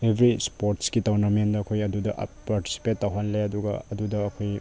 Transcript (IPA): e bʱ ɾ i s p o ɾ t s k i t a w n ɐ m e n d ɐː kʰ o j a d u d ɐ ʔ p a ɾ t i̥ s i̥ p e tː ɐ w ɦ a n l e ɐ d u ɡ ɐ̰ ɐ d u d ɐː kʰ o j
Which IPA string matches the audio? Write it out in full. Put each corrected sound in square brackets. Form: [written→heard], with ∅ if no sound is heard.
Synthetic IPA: e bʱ ɾ i s p o ɾ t s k i t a w n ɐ m e n d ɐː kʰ o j [a→ɐ] d u d ɐ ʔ p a ɾ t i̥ s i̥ p e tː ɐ w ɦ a n l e ɐ d u ɡ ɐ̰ ɐ d u d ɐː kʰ o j